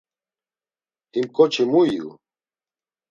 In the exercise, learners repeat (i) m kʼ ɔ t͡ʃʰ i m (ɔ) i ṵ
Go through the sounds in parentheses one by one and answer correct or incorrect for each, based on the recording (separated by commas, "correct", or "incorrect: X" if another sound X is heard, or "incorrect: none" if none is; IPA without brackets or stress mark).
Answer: correct, incorrect: u